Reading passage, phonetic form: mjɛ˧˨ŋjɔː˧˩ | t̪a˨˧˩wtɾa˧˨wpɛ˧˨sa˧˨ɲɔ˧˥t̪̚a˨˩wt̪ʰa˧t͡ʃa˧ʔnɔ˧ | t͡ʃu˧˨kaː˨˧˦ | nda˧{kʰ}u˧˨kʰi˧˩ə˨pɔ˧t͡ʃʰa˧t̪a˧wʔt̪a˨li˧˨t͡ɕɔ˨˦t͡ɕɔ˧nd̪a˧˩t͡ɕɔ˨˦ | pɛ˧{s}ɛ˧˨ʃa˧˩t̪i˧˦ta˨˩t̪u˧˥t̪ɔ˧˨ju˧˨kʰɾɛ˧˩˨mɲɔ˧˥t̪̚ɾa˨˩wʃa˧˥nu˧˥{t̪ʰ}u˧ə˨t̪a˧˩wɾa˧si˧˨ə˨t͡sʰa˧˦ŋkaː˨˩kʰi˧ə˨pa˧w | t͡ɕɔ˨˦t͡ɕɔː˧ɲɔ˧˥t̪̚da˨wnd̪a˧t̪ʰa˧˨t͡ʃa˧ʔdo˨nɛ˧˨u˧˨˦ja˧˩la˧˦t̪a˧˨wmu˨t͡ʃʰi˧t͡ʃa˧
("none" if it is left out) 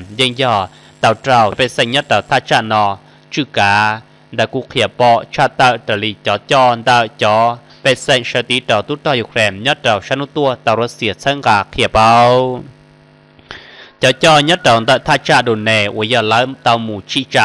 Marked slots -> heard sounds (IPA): k, s, t̪

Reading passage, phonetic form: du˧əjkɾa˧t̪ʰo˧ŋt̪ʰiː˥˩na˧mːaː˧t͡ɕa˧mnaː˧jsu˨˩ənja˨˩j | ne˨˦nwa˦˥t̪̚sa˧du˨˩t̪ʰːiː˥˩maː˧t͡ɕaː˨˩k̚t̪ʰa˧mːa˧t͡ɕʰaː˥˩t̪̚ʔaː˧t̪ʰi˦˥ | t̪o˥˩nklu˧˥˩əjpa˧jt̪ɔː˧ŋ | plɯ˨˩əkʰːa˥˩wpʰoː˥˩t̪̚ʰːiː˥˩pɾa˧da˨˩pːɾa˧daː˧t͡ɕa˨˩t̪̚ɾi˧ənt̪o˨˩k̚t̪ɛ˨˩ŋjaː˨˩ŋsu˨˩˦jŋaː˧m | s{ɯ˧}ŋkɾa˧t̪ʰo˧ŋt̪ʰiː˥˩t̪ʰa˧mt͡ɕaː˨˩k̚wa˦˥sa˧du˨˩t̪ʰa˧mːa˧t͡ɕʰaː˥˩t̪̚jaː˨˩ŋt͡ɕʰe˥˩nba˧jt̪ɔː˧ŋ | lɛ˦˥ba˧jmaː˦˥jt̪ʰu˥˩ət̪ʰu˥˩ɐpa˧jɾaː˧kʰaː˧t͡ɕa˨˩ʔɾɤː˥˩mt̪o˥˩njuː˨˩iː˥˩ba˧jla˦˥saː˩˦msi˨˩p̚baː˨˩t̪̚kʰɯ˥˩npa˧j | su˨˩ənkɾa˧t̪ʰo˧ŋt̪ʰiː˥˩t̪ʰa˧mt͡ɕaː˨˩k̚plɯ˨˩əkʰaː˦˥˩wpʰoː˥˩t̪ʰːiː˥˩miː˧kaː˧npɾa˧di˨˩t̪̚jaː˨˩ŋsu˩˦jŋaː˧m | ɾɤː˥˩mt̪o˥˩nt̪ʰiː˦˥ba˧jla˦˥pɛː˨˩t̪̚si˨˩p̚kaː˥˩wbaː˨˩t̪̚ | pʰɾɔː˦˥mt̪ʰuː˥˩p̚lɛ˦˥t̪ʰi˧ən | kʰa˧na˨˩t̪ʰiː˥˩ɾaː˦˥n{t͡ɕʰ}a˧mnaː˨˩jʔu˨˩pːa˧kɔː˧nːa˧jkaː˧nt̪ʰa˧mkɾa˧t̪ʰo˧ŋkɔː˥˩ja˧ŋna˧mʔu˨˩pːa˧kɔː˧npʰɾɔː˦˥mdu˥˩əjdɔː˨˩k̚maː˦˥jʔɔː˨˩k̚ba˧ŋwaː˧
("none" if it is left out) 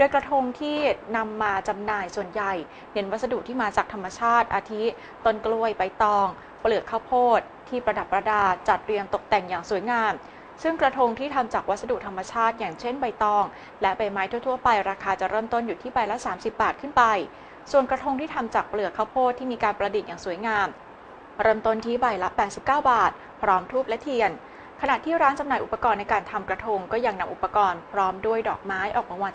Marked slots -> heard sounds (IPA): ɯ˥˩, t͡ɕ

